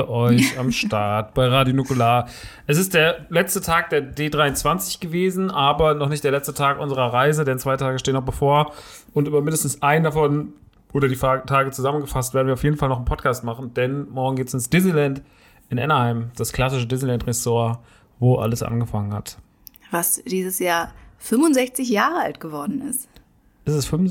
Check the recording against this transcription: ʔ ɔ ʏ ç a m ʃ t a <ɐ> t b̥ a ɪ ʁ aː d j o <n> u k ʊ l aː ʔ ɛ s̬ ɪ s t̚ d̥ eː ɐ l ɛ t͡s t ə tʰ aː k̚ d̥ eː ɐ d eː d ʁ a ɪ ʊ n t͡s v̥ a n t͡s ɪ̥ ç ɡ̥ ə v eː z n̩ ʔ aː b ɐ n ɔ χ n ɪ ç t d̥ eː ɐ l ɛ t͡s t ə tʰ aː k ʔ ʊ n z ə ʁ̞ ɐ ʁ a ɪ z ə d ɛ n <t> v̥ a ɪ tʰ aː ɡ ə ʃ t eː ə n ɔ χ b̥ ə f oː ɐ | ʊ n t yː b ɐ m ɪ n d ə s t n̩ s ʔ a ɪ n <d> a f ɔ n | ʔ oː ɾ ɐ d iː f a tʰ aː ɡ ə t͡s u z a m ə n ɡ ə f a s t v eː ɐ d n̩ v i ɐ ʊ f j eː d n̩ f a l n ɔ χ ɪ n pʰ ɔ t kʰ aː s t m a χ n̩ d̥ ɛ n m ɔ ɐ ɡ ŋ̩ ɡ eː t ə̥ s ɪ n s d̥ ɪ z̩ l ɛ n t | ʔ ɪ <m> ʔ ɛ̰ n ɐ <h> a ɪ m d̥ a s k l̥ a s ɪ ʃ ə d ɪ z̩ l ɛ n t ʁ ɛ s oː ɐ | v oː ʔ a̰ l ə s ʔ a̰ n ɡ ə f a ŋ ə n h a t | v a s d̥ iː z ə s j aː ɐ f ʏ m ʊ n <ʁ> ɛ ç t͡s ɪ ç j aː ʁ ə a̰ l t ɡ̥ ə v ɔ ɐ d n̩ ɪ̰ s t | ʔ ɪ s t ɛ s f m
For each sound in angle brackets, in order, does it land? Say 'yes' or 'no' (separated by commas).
yes, yes, no, yes, no, yes, no